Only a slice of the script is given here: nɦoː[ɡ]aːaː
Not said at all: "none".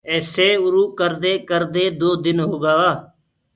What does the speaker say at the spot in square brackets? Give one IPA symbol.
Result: ɡ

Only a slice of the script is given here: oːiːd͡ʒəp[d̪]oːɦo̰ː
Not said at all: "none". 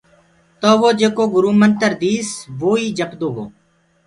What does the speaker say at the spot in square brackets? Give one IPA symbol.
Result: d̪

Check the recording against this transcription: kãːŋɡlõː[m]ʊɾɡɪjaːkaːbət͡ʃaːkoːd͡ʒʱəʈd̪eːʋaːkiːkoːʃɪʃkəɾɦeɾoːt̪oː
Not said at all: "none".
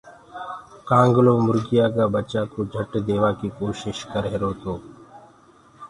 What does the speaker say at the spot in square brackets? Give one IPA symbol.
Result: m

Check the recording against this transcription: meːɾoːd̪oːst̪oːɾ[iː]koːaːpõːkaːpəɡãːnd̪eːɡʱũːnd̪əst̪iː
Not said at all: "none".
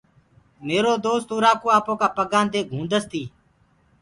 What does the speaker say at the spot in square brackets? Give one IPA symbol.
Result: aː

